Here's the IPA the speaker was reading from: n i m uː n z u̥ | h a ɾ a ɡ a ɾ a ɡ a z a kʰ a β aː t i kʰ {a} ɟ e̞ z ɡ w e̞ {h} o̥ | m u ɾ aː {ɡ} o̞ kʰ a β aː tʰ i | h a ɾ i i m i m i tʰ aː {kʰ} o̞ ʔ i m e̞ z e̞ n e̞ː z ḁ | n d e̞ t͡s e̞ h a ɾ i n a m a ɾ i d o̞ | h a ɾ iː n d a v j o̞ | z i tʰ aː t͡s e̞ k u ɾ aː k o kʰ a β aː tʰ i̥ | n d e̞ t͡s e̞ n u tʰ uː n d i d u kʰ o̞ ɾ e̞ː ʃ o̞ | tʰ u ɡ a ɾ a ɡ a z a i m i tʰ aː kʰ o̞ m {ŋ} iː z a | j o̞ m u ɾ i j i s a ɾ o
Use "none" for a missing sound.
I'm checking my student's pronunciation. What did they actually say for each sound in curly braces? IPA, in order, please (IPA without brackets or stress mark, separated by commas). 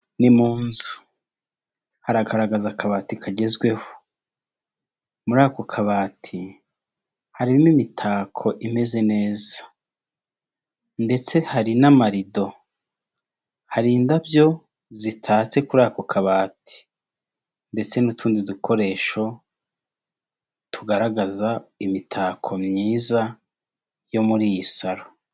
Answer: a, h, k, kʰ, ɲ